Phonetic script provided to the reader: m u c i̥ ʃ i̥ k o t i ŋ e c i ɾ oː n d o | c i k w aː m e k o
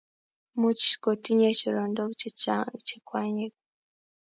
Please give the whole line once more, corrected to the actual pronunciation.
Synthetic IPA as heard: m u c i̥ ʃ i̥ k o t i ɲ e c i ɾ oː n d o | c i k w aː ɲ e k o